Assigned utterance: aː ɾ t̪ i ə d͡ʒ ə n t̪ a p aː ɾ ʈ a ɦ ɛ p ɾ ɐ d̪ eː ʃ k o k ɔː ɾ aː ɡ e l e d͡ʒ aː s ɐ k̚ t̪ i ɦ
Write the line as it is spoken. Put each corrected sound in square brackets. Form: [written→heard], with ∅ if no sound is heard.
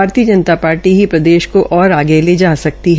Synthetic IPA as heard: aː ɾ t̪ i ə d͡ʒ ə n t̪ a p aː ɾ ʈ [a→i] ɦ [ɛ→i] p ɾ ɐ d̪ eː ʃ k o [k→ʔ] ɔː ɾ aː ɡ e l e d͡ʒ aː s ɐ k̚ t̪ i ɦ